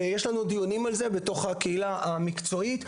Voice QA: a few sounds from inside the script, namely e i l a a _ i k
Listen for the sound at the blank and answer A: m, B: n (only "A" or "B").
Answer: A